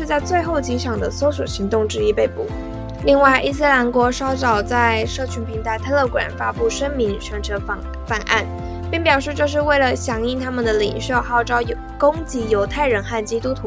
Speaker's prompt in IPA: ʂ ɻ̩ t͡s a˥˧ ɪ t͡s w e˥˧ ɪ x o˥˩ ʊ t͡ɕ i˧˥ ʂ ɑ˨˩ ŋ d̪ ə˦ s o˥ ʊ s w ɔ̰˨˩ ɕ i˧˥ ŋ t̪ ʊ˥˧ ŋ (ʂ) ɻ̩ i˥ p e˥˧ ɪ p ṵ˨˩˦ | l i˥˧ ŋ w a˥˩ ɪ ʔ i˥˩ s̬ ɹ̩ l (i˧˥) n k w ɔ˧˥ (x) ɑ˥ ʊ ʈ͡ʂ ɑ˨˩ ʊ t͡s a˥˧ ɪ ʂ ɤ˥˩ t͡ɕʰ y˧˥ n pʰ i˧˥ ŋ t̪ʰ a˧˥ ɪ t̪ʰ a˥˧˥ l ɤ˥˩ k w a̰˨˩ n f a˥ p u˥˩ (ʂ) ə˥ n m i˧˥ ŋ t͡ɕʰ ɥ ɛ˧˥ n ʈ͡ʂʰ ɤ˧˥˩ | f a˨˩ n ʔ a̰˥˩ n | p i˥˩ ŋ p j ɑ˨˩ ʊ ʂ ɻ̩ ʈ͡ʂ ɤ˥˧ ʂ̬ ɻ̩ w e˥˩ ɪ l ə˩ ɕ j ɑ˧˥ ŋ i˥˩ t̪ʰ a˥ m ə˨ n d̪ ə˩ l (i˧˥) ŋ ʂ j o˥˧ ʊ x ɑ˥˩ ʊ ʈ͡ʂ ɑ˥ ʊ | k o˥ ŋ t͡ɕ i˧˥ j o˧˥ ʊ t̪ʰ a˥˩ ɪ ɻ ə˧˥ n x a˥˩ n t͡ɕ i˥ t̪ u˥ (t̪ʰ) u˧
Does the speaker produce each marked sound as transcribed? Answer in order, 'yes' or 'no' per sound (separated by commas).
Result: no, no, no, yes, no, yes